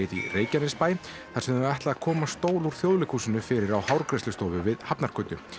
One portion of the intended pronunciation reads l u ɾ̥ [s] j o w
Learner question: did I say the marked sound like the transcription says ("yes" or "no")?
no